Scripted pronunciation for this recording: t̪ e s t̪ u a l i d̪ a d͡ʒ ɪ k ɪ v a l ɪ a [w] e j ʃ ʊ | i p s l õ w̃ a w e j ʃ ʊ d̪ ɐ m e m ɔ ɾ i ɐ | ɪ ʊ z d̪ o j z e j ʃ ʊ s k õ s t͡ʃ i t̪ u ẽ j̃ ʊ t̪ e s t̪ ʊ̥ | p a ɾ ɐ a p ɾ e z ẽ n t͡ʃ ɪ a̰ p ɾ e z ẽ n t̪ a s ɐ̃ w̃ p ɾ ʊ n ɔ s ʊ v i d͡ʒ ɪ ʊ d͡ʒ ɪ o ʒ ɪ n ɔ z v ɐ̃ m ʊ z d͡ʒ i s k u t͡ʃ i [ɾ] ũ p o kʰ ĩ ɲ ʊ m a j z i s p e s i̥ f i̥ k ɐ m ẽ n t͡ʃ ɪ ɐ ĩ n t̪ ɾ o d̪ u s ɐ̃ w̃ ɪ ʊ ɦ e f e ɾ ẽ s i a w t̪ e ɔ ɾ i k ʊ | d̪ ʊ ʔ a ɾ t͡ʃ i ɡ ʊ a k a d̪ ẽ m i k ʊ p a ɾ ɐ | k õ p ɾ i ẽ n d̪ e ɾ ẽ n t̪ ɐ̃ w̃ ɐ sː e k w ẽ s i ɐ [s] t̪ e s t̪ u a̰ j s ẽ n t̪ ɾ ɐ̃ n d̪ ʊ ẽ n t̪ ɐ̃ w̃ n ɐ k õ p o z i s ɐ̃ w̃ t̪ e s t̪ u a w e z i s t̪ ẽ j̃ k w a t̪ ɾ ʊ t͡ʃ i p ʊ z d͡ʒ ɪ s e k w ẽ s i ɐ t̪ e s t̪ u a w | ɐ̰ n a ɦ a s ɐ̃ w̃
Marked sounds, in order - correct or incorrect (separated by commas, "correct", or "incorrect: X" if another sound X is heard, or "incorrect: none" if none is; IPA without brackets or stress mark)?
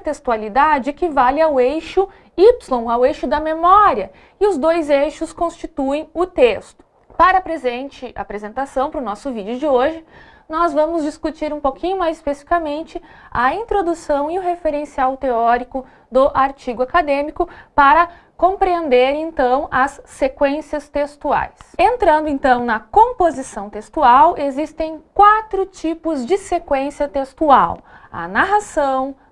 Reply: correct, correct, correct